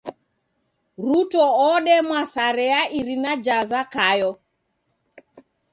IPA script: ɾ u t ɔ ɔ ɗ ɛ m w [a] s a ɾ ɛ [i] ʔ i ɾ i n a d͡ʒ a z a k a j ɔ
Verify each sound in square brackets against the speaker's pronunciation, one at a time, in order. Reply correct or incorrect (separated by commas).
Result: correct, incorrect